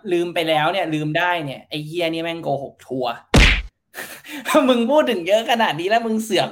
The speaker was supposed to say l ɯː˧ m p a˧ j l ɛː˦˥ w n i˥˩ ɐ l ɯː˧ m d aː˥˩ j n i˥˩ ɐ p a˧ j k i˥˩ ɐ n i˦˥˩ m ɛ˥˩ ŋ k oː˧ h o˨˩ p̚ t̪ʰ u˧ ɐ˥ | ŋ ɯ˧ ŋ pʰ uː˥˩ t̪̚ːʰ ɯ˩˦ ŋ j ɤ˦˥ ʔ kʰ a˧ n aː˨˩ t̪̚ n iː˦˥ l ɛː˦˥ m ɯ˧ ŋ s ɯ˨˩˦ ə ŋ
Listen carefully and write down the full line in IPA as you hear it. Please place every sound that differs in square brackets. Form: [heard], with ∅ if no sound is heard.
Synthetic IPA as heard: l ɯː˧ m p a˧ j l ɛː˦˥ w n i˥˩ ɐ l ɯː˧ m d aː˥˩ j n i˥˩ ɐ [ʔ] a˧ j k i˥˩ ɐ n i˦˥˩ m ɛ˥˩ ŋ k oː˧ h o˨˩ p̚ t̪ʰ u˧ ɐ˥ | [m] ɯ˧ ŋ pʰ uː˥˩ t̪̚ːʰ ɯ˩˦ ŋ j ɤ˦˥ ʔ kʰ a˧ n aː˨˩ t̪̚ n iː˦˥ l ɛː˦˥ m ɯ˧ ŋ s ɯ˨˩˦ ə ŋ